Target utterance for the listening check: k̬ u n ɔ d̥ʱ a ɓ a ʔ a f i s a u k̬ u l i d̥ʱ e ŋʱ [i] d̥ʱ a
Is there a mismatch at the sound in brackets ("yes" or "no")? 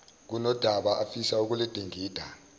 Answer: yes